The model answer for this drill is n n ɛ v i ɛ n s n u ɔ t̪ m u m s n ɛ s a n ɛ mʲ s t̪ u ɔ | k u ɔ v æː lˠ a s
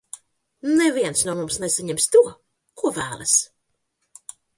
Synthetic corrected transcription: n n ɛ v i ɛ n s n u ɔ m u m s n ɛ s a ɲ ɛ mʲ s t̪ u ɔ | k u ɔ v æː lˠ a s